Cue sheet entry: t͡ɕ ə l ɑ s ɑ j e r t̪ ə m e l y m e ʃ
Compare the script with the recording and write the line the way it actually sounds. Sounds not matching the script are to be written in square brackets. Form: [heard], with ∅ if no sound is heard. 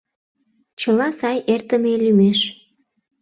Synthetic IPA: t͡ɕ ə l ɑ s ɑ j e r t̪ ə m e l y m e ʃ